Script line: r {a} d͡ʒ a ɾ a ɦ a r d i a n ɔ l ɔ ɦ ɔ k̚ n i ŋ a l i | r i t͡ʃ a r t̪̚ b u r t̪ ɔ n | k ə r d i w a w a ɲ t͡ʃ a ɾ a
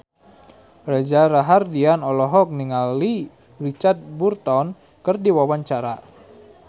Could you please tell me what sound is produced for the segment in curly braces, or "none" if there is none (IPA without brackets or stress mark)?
a